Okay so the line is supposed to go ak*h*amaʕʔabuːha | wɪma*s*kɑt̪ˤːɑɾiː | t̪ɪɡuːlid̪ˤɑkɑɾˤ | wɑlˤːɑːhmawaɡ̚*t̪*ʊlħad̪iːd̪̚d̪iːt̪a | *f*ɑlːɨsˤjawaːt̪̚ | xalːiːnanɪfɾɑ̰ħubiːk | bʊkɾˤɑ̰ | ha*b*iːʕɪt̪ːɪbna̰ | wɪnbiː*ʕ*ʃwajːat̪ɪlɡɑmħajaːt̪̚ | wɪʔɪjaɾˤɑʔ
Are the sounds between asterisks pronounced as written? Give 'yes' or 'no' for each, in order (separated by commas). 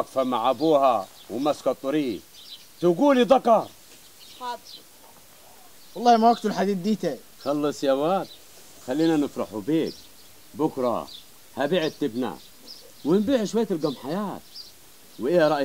no, yes, yes, no, yes, yes